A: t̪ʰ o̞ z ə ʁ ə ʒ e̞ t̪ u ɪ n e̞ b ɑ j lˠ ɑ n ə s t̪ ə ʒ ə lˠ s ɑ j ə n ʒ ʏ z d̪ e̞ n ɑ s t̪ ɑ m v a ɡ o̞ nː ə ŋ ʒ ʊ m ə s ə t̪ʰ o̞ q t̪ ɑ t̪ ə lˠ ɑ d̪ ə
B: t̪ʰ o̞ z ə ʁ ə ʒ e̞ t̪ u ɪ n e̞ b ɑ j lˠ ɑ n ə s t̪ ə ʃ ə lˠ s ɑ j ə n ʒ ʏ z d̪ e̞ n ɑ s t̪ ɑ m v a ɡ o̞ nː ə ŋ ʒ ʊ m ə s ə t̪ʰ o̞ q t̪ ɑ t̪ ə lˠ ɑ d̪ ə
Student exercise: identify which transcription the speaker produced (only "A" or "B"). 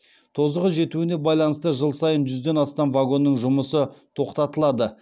A